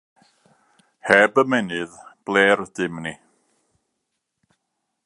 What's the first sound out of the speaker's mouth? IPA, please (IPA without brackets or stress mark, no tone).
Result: h